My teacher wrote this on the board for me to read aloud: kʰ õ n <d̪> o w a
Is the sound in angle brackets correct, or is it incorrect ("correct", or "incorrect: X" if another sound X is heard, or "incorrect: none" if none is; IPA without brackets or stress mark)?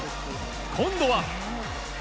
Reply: correct